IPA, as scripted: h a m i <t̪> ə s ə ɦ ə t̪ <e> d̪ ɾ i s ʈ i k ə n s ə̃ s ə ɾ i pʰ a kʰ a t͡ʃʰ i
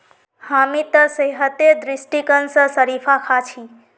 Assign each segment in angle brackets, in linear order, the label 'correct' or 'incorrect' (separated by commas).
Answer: correct, correct